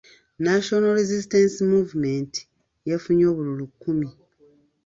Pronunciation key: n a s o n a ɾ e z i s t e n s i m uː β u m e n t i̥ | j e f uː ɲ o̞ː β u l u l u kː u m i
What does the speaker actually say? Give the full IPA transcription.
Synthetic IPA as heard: n a ʃ o n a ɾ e z i s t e n s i m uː v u m e n t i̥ | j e f u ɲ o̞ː β u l u l u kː u m i